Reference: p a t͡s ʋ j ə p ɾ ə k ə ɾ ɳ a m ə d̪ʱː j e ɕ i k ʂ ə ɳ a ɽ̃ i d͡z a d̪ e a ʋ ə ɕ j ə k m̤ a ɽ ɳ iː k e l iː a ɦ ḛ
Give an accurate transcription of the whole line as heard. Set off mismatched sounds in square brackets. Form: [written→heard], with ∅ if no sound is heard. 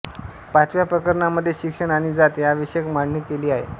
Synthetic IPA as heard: p a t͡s ʋ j [ə→a] p ɾ ə k ə ɾ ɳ a m ə d̪ʱː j e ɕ i k ʂ ə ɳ a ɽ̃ i d͡z a [d̪→t̪] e a ʋ ə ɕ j ə k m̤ a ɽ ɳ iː k e l iː a ɦ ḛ